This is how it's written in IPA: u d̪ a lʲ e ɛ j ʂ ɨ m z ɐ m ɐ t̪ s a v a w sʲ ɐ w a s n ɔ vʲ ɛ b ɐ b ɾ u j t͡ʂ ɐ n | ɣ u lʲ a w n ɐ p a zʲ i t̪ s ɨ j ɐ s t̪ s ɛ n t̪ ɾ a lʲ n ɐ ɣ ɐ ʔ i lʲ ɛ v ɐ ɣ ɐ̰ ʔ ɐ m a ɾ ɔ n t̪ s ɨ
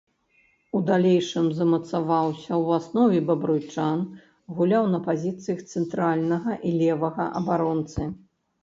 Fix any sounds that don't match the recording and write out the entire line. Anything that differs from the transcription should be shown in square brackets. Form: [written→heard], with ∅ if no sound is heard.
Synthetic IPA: u d̪ a lʲ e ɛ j ʂ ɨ m z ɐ m ɐ t̪ s a v a w sʲ ɐ w a s n ɔ vʲ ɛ b ɐ b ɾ u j t͡ʂ [ɐ→a] n | ɣ u lʲ a w n ɐ p a zʲ i t̪ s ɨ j ɐ [s→x] t̪ s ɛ n t̪ ɾ a lʲ n ɐ ɣ ɐ ʔ i lʲ ɛ v ɐ ɣ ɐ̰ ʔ ɐ [m→b] a ɾ ɔ n t̪ s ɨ